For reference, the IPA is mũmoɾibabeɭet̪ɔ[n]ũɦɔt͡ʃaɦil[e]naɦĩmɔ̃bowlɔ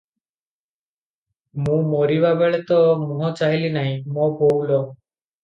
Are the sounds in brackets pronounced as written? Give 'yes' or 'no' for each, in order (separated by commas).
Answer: no, no